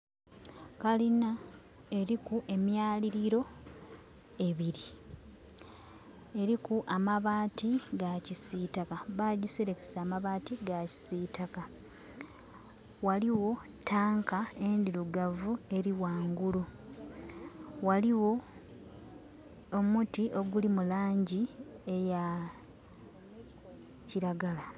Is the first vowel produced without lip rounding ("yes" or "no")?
yes